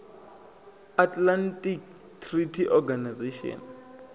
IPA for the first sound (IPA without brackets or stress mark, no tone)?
a